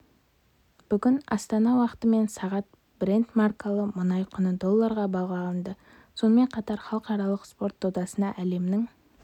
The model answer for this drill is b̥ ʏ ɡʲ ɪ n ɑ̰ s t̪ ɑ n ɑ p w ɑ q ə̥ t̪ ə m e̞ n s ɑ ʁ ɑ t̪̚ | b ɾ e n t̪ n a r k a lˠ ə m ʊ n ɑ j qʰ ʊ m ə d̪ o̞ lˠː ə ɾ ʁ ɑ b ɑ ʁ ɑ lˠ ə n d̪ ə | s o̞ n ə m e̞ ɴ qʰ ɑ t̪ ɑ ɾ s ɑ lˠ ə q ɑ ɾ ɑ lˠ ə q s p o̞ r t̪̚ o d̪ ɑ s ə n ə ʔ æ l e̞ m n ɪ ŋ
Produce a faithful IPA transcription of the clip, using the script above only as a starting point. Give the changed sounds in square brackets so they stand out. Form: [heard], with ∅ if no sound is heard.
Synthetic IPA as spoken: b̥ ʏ ɡʲ ɪ n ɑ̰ s t̪ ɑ n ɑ [∅] w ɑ q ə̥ t̪ ə m e̞ n s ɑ ʁ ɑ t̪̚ | b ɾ e n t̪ [m] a r k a lˠ ə m ʊ n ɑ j qʰ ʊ [n] ə d̪ o̞ lˠː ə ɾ ʁ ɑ b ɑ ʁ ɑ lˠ ə n d̪ ə | s o̞ n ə m e̞ ɴ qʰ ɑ t̪ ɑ ɾ [χ] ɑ lˠ ə q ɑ ɾ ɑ lˠ ə q s p o̞ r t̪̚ o d̪ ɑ s ə n [ɑ] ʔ æ l e̞ m n ɪ ŋ